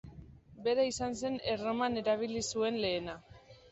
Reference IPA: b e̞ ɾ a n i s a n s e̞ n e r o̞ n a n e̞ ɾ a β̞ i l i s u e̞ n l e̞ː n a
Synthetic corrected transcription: b e̞ ɾ a i s a n s e̞ n e r o̞ m a n e̞ ɾ a β̞ i l i s u e̞ n l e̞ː n a